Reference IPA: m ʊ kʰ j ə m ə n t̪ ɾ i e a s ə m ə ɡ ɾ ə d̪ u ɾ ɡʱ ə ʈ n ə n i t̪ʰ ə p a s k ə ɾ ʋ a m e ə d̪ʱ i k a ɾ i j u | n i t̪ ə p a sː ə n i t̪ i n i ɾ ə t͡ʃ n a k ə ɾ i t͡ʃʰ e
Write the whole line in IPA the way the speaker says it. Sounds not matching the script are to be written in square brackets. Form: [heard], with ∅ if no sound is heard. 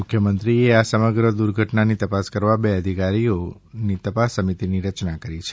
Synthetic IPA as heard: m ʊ kʰ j ə m ə n t̪ ɾ i e a s ə m ə ɡ ɾ ə d̪ u ɾ ɡʱ ə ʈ n [a] n i [t̪] ə p a s k ə ɾ ʋ a [b] e ə d̪ʱ i k a ɾ i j [o] | n i t̪ ə p a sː ə [m] i t̪ i n i ɾ ə t͡ʃ n a k ə ɾ i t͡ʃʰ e